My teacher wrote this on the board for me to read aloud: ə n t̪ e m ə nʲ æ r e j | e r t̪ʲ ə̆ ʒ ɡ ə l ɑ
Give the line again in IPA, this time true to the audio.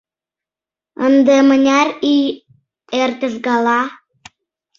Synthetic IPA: ə n d̪ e m ə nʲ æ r i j | e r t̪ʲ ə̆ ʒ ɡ ɑ l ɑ